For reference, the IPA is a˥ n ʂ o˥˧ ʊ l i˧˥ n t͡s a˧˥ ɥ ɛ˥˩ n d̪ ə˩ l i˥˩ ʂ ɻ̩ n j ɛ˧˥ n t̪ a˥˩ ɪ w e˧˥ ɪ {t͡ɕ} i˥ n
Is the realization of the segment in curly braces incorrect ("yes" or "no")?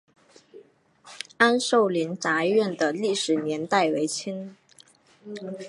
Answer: yes